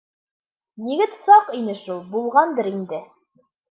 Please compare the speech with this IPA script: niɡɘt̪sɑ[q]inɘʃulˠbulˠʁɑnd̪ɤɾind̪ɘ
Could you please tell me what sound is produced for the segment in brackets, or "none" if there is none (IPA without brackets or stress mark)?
q